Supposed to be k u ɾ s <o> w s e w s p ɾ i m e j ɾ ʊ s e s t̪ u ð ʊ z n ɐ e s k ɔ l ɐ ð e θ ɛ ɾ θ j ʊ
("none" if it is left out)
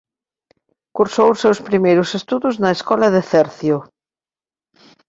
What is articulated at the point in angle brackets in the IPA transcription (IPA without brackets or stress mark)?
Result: o